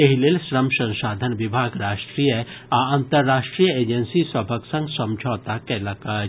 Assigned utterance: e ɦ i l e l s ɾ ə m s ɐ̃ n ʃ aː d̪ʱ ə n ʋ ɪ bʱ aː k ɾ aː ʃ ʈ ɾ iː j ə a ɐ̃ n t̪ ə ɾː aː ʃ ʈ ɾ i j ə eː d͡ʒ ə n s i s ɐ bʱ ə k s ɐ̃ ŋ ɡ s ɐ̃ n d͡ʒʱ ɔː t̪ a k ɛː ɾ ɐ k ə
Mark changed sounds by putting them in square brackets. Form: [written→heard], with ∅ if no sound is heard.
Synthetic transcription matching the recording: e ɦ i l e l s ɾ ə m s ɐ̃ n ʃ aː d̪ʱ ə n ʋ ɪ bʱ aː [k→ɡ] ɾ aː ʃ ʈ ɾ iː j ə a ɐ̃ n t̪ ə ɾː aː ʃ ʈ ɾ i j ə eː d͡ʒ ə n s i s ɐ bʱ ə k s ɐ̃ ŋ ɡ s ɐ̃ [n→m] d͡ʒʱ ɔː t̪ a k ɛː [ɾ→l] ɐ k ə